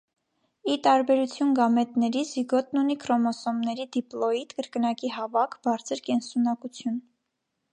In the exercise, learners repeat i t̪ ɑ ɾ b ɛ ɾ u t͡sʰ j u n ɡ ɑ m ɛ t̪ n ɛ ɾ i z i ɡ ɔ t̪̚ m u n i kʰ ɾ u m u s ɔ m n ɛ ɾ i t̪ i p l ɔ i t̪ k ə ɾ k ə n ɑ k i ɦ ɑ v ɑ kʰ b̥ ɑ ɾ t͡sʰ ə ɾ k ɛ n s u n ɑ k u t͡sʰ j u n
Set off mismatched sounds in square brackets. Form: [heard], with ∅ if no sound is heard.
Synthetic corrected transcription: i t̪ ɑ ɾ b ɛ ɾ u t͡sʰ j u n ɡ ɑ m ɛ t̪ n ɛ ɾ i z i ɡ ɔ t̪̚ [n] u n i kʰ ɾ [ɔ] m [ɔ] s ɔ m n ɛ ɾ i [d̪] i p l ɔ i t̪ k ə ɾ k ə n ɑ k i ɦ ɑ v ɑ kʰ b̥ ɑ ɾ t͡sʰ ə ɾ k ɛ n s u n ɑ k u t͡sʰ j u n